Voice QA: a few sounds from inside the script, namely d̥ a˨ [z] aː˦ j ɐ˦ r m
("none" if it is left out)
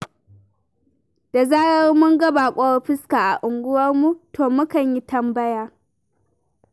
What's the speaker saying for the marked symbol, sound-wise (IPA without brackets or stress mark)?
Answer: z